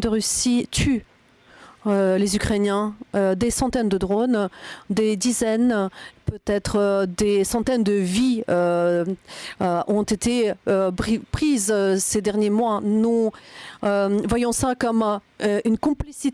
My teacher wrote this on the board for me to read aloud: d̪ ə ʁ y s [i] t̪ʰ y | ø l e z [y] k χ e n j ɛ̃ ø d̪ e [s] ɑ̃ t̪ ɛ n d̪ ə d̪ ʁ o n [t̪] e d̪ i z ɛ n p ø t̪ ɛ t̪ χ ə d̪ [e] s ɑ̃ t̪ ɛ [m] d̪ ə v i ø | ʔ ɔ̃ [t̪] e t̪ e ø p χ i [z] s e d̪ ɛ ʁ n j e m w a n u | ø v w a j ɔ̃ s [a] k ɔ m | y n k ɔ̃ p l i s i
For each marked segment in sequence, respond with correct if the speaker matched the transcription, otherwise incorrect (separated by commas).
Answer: correct, correct, correct, incorrect, correct, incorrect, correct, correct, correct